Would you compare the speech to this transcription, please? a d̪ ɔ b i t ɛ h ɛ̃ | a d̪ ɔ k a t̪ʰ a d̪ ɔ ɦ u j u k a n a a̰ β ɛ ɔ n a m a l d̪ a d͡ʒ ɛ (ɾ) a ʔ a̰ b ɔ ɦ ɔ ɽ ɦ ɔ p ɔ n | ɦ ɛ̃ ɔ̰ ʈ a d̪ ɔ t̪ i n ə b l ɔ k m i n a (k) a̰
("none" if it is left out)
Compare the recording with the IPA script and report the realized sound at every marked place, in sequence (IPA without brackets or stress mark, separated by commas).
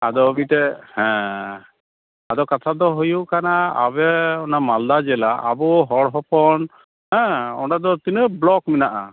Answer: l, ʔ